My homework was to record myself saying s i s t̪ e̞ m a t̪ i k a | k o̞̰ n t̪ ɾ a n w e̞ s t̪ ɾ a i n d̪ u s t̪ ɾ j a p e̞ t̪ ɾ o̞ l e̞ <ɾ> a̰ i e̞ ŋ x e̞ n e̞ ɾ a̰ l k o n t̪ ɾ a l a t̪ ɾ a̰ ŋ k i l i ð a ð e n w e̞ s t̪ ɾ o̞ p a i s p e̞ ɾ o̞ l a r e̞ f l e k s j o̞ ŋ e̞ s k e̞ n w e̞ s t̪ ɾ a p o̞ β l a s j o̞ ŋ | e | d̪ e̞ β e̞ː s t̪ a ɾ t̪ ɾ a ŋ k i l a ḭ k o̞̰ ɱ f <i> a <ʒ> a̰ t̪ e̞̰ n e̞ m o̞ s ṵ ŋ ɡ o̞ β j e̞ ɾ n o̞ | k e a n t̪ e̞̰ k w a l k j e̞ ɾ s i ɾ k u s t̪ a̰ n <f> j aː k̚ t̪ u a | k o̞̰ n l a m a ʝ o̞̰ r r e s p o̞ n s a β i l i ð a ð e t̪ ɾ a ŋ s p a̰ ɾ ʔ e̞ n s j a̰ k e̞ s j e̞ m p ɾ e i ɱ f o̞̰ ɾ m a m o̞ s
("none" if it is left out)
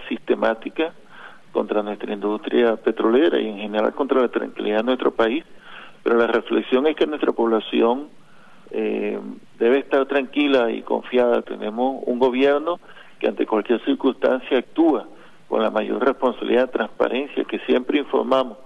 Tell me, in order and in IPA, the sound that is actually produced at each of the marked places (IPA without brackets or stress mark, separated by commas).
ɾ, j, ð, s